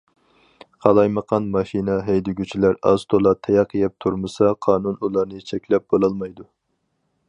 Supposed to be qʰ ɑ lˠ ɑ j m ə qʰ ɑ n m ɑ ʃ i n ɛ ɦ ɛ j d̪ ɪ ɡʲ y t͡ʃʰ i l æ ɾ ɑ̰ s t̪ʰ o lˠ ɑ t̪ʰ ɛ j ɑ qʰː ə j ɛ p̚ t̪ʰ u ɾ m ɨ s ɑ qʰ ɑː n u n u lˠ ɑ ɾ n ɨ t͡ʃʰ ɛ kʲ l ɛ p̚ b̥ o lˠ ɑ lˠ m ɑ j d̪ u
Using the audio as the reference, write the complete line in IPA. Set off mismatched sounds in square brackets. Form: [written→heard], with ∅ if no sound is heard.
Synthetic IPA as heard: qʰ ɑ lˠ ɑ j m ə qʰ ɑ n m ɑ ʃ i n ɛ ɦ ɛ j d̪ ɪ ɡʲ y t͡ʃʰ i l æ ɾ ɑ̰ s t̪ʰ o lˠ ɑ t̪ʰ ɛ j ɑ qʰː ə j ɛ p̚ t̪ʰ u ɾ m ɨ s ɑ qʰ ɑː n u n u lˠ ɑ ɾ n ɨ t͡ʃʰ ɛ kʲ l ɛ p̚ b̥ o lˠ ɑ lˠ m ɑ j d̪ u